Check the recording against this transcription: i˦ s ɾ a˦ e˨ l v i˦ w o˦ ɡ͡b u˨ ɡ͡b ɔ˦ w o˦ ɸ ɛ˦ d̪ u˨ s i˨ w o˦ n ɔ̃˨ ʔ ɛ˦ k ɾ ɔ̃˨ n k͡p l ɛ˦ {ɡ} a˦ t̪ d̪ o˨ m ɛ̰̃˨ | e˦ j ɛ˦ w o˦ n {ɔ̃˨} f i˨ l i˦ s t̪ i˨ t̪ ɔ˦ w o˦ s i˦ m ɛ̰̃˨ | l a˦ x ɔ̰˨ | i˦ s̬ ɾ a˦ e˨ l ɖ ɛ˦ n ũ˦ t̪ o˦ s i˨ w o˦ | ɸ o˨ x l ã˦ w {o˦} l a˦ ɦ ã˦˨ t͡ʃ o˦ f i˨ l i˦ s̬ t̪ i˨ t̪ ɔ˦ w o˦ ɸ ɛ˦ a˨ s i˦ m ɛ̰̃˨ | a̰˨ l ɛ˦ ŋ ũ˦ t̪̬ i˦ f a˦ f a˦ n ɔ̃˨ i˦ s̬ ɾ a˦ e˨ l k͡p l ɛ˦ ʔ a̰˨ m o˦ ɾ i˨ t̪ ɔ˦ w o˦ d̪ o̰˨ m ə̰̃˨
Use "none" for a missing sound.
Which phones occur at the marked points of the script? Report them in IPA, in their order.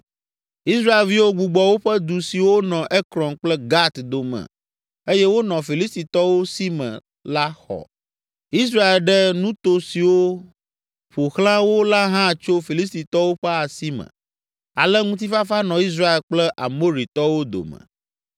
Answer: ɡ, ɔ̃˨, o˦

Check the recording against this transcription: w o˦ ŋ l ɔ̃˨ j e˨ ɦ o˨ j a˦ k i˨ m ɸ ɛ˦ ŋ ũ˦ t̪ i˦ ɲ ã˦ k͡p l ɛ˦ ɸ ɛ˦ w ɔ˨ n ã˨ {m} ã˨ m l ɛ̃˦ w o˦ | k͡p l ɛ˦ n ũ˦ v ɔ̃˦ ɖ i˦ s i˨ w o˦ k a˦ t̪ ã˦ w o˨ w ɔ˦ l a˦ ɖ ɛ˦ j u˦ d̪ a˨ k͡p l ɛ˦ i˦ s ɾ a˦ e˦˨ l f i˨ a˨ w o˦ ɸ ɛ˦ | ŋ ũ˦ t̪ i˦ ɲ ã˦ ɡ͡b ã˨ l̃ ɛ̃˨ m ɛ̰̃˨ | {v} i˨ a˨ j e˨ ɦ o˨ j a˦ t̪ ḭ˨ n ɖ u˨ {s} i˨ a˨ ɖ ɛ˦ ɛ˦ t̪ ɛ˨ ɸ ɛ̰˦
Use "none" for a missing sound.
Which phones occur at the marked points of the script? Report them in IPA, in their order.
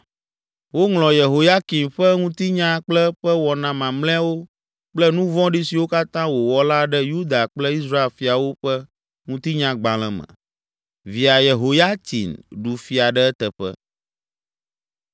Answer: m, v, f

